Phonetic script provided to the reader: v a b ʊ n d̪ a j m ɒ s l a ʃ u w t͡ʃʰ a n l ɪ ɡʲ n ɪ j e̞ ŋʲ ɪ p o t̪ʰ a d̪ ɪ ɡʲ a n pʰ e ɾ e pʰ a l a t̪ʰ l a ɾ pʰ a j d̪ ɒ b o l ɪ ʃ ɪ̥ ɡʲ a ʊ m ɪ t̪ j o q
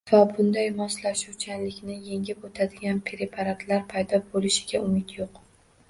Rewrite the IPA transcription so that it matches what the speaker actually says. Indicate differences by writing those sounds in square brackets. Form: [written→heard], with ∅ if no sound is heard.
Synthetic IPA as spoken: v a b ʊ n d̪ a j m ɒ s l a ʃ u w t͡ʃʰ a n l ɪ [ɡʲ→kʲ] n ɪ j e̞ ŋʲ ɪ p o t̪ʰ a d̪ ɪ ɡʲ a n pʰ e ɾ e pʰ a [l→ɾ] a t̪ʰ l a ɾ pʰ a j d̪ ɒ b o l ɪ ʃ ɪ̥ ɡʲ a ʊ m ɪ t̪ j o q